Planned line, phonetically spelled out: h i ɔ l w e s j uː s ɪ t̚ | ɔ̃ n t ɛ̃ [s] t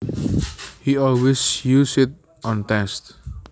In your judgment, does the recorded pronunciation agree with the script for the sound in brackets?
yes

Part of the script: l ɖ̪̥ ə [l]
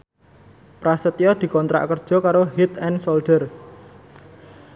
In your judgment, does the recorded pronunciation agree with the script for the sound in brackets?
no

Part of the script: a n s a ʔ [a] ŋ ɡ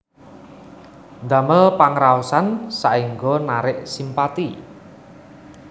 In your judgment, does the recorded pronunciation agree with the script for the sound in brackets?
no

